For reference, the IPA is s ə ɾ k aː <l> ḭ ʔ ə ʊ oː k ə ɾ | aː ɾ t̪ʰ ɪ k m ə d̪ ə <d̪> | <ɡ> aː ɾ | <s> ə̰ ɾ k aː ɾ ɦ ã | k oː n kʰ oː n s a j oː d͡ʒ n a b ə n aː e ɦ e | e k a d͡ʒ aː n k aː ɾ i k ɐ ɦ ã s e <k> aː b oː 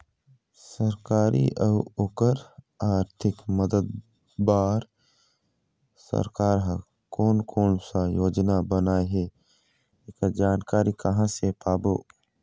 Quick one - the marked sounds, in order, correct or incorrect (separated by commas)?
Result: incorrect, correct, incorrect, correct, incorrect